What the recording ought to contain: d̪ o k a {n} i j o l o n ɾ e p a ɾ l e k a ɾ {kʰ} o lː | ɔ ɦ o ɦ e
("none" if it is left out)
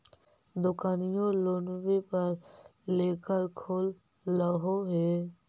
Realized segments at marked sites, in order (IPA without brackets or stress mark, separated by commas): n, kʰ